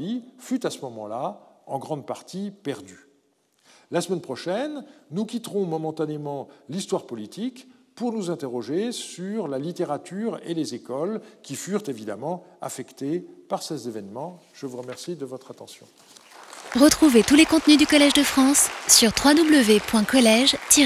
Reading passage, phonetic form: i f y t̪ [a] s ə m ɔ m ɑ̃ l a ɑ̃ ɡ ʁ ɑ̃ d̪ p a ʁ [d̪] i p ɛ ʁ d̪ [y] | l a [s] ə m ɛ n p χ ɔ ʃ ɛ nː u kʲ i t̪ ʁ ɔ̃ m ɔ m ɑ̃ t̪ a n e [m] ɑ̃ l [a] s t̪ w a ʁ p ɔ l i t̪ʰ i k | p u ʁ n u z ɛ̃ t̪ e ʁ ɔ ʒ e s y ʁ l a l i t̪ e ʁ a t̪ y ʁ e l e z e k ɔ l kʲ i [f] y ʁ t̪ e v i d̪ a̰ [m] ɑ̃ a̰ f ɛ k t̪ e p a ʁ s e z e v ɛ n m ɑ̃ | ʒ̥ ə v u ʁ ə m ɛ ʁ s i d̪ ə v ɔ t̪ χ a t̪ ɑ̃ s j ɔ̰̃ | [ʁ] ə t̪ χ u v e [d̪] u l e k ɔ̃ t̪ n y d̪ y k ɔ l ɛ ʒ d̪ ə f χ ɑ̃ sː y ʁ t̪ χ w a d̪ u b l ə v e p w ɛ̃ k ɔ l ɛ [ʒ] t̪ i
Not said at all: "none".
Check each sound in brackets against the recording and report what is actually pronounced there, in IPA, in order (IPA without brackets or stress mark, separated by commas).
a, t̪, y, s, m, i, f, m, ʁ, t̪, ʒ